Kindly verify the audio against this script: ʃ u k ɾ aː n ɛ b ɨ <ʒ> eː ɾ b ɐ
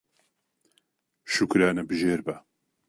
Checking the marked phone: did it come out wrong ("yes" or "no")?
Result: no